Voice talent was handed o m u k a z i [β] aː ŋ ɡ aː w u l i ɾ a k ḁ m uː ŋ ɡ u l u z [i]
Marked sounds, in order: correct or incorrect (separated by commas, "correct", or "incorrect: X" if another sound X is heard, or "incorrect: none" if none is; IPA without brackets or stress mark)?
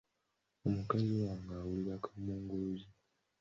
incorrect: w, correct